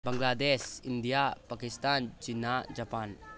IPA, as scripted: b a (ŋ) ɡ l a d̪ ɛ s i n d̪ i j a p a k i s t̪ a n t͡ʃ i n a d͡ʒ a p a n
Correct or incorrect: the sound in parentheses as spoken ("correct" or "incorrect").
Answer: correct